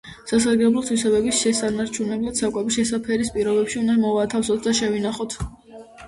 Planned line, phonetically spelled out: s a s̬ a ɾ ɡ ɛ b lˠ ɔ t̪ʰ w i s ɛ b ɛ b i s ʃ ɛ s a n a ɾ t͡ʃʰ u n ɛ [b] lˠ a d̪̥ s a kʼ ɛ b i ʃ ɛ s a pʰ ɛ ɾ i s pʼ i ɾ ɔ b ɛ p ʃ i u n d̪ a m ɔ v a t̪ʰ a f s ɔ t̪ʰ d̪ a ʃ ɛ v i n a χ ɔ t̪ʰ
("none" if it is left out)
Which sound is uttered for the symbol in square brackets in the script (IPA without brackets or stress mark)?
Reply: b